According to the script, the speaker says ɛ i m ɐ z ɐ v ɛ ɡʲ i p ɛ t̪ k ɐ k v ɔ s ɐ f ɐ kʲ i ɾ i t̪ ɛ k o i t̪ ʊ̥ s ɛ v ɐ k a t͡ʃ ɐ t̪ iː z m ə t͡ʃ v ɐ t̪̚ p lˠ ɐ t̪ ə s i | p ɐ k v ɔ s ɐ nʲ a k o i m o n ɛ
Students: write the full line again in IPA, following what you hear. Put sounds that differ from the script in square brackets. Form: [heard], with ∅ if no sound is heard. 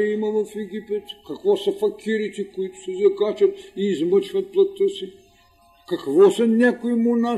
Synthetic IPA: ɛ i m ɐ [v] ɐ [f] ɛ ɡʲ i p ɛ t̪ k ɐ k v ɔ s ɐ f ɐ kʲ i ɾ i t̪ ɛ k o i t̪ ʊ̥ s ɛ [z] ɐ k a t͡ʃ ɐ t̪ iː z m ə t͡ʃ v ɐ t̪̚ p lˠ ɐ t̪ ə s i | [k] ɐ k v ɔ s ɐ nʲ a k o i m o n [a]